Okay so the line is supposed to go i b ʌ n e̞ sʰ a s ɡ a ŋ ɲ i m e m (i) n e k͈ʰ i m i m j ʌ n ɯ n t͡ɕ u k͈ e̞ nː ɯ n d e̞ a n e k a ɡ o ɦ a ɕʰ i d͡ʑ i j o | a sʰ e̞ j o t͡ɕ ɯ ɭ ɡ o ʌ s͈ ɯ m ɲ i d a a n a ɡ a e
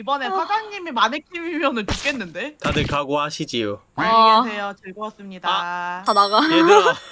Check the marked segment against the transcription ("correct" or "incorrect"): incorrect